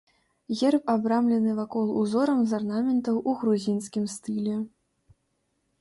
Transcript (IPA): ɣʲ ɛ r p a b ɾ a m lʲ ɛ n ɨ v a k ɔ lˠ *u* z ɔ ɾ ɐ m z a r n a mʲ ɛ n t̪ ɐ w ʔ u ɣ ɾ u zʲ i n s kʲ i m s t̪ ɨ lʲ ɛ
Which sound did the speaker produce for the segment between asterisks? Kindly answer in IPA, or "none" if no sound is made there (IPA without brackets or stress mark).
u